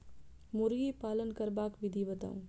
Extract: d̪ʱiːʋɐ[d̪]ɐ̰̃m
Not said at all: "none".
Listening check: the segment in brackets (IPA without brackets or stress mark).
t̪